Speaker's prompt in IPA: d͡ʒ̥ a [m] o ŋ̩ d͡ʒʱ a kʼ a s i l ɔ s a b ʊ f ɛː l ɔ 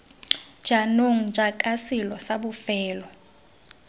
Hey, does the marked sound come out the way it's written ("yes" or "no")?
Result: no